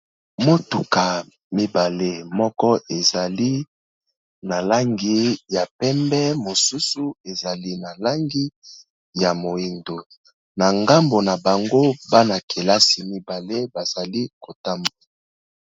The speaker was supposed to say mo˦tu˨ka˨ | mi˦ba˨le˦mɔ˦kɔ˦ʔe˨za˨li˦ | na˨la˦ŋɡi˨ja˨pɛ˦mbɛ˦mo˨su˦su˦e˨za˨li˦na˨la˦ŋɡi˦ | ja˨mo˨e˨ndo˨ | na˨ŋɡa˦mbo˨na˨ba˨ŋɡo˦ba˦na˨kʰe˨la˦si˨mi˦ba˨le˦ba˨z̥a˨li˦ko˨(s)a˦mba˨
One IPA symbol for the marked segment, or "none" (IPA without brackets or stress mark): t